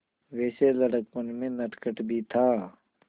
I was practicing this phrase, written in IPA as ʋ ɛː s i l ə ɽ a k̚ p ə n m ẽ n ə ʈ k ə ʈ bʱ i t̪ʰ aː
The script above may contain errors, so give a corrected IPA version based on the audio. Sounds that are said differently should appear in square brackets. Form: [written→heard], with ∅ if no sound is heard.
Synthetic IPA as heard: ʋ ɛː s [i→e] l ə ɽ [a→ə] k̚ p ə n m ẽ n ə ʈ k ə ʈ bʱ i t̪ʰ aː